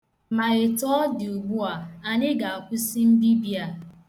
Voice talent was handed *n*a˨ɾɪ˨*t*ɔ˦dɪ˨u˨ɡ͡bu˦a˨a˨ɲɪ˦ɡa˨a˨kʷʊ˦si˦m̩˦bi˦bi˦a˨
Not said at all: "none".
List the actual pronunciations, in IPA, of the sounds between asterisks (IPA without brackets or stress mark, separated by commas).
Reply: m, t